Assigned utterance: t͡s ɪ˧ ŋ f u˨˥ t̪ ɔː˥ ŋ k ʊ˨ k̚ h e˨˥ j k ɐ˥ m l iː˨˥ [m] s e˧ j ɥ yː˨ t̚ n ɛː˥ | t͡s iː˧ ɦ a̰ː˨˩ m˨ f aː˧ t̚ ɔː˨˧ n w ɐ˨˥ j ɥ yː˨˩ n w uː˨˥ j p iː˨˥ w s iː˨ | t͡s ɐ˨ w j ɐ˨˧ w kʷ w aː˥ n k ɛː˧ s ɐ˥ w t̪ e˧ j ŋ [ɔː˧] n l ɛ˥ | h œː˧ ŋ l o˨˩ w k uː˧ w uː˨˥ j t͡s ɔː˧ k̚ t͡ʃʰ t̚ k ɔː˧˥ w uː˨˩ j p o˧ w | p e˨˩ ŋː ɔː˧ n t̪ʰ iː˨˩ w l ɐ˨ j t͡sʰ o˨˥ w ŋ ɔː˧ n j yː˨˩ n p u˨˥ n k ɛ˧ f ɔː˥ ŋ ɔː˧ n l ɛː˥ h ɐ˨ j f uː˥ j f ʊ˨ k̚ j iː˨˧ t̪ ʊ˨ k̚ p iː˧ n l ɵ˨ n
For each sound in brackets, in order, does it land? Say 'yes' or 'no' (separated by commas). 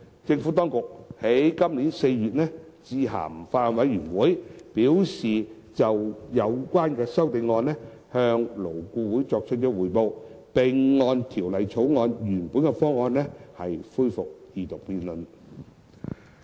no, yes